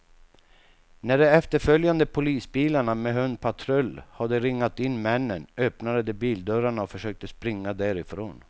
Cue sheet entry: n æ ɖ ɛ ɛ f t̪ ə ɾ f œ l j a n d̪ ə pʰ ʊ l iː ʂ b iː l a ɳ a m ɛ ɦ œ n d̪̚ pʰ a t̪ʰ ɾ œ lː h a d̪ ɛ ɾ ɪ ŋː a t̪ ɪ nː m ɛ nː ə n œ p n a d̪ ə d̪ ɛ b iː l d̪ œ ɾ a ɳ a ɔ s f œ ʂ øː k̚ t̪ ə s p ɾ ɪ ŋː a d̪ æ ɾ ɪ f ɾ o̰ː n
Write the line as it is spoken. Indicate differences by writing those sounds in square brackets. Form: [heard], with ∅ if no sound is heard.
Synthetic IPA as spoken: n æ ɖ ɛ ɛ f t̪ ə ɾ f œ l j a n d̪ ə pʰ ʊ l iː [s] b iː l a ɳ a m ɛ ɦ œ n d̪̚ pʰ a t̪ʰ ɾ œ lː h a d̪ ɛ ɾ ɪ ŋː a t̪ ɪ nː m ɛ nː ə n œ p n a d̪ ə d̪ ɛ b iː l d̪ œ ɾ a ɳ a ɔ [∅] f œ ʂ øː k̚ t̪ ə s p ɾ ɪ ŋː a d̪ æ ɾ ɪ f ɾ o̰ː n